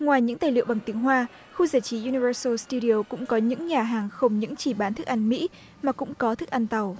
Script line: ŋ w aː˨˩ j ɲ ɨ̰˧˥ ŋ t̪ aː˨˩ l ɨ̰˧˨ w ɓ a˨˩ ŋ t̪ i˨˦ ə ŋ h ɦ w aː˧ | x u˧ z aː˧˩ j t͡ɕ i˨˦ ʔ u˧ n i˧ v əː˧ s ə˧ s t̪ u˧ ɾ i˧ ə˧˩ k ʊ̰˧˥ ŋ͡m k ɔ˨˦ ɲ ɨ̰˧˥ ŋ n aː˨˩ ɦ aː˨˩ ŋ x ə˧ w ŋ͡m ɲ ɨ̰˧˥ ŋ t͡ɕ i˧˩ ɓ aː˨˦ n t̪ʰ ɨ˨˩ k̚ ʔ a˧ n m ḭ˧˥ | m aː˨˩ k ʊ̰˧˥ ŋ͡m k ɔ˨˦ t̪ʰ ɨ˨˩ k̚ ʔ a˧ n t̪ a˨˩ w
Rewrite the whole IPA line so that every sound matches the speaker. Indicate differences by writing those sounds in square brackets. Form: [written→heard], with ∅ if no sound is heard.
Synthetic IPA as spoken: ŋ w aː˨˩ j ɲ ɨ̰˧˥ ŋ t̪ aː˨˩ l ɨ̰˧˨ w ɓ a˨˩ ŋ t̪ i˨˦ ə ŋ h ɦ w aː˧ | x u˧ z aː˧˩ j t͡ɕ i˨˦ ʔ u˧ n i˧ v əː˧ s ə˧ s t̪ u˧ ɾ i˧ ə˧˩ k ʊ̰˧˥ ŋ͡m k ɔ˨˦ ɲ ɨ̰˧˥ ŋ [n→ɲ] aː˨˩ ɦ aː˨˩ ŋ x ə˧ w ŋ͡m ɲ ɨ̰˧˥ ŋ t͡ɕ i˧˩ ɓ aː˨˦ n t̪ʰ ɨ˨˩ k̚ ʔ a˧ n m ḭ˧˥ | m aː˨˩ k ʊ̰˧˥ ŋ͡m k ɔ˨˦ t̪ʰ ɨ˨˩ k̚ ʔ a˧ n t̪ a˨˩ w